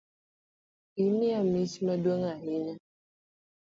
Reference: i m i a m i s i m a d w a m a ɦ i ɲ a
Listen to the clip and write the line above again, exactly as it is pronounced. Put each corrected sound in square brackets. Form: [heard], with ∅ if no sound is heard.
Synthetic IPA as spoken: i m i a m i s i m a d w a [ŋ] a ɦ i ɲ a